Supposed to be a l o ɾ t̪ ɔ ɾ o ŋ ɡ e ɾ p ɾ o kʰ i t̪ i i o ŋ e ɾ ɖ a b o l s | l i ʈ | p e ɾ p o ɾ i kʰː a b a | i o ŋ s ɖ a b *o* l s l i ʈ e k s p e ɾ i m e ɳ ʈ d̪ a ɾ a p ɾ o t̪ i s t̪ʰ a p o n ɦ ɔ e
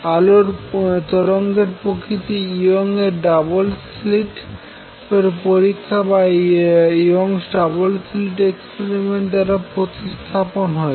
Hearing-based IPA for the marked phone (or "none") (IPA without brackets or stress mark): o